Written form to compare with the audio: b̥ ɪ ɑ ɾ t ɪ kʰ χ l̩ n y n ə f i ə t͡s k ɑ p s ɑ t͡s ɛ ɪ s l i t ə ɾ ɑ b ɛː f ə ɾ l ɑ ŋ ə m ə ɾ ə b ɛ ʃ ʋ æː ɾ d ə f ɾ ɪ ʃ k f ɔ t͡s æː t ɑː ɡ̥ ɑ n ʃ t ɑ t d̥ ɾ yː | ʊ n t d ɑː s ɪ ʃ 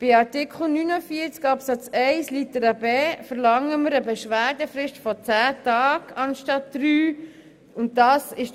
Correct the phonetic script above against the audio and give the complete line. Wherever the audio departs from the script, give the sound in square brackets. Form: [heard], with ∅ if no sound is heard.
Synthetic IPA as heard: b̥ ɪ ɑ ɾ t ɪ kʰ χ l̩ n y n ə f i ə t͡s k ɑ p s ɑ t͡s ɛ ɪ s l i t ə ɾ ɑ b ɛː f ə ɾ l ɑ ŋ ə m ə ɾ ə b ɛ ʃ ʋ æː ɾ d ə f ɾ ɪ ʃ [t] f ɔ t͡s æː t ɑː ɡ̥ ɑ n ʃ t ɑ t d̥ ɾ yː | ʊ n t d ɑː s ɪ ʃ